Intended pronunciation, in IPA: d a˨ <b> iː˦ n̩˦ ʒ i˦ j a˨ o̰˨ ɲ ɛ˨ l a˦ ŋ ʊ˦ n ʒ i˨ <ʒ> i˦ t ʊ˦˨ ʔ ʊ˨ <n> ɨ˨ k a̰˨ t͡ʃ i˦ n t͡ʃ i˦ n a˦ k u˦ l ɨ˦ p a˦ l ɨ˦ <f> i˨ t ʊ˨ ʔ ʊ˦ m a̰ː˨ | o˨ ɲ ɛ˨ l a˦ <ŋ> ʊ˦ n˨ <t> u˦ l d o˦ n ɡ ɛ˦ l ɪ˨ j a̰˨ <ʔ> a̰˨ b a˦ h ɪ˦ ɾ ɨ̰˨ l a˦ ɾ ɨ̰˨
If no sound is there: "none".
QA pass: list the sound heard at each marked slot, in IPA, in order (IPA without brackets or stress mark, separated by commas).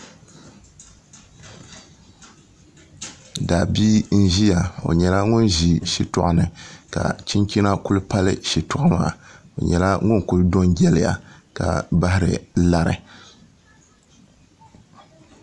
b, ʃ, n, ʃ, ŋ, k, k